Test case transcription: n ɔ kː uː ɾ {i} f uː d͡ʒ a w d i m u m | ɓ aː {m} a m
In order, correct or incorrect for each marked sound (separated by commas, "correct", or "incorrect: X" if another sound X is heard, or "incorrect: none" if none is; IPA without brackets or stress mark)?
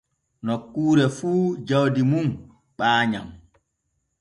incorrect: ɛ, incorrect: ɲ